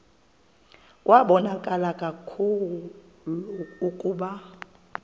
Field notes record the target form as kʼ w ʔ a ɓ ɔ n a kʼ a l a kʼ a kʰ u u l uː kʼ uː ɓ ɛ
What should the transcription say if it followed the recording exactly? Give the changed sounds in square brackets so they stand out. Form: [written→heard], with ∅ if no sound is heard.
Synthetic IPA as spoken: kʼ w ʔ a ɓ ɔ n a kʼ a l a kʼ a kʰ u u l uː kʼ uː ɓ [ɛ→a]